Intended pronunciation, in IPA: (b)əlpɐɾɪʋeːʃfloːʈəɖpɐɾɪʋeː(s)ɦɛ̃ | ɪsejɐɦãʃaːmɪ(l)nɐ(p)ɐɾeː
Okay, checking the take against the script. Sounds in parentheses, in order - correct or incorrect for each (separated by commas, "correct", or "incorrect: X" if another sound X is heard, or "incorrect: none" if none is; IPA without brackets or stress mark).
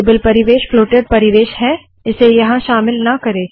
correct, incorrect: ʃ, correct, incorrect: k